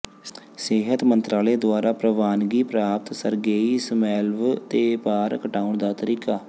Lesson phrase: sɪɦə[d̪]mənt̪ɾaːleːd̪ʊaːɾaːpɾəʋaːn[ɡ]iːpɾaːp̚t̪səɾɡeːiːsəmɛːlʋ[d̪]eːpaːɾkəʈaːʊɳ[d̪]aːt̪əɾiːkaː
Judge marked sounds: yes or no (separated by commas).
no, yes, no, yes